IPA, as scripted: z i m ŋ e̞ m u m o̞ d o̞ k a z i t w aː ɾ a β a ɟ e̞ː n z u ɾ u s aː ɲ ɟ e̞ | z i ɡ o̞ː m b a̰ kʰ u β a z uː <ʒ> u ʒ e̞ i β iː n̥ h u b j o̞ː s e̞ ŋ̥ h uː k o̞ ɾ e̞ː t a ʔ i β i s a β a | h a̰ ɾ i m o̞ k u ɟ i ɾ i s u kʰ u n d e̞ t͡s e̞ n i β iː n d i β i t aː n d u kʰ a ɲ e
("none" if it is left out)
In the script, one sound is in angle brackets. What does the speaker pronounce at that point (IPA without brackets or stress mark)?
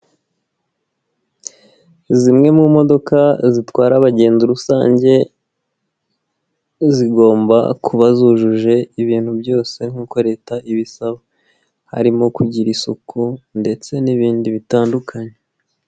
ʒ